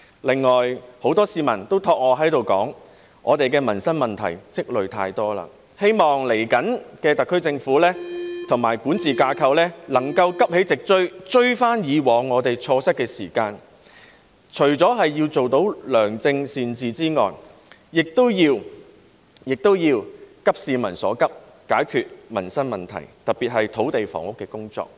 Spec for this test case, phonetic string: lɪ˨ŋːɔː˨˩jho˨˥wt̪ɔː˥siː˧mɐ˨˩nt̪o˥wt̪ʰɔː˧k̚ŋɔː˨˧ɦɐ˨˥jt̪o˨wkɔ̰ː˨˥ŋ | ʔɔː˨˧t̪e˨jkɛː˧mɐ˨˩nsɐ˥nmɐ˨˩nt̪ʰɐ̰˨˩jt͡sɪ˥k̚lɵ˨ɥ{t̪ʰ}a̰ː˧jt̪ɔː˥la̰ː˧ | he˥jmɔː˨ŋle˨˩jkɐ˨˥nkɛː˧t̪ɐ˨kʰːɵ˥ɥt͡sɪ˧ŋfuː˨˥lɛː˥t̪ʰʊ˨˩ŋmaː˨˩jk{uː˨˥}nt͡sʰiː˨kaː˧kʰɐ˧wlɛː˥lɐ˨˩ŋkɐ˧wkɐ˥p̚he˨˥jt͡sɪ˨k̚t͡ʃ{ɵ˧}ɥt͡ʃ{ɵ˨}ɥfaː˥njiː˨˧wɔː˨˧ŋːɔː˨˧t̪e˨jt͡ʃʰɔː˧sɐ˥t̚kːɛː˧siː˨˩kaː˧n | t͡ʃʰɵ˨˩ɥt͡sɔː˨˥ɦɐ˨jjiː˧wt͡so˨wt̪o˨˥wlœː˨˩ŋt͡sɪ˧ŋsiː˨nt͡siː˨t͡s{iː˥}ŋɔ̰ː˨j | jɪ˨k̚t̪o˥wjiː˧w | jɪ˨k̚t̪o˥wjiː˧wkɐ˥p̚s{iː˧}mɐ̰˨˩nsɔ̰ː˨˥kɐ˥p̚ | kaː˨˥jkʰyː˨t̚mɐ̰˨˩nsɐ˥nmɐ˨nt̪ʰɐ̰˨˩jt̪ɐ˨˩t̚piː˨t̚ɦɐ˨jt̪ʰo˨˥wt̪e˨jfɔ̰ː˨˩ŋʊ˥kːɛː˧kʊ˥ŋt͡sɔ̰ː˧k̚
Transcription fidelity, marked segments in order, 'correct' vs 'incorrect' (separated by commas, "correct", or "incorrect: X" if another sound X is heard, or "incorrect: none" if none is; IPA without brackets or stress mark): correct, correct, incorrect: ɵ˥, incorrect: ɵ˥, correct, correct